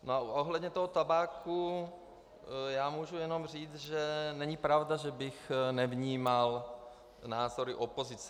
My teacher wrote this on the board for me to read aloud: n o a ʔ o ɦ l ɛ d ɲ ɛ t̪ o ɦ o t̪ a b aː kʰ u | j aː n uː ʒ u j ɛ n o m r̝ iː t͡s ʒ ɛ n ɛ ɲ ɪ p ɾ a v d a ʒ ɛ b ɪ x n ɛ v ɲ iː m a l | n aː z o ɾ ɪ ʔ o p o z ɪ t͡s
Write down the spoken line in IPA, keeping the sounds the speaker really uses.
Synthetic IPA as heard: n o a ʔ o ɦ l ɛ d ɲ ɛ t̪ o ɦ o t̪ a b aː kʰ u | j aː m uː ʒ u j ɛ n o m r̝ iː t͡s ʒ ɛ n ɛ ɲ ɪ p ɾ a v d a ʒ ɛ b ɪ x n ɛ v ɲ iː m a l | n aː z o ɾ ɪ ʔ o p o z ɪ t͡s